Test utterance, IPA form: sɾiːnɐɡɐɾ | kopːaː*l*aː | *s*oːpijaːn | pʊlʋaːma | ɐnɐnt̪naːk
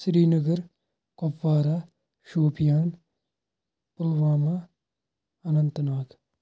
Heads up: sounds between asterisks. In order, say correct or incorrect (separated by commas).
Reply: incorrect, incorrect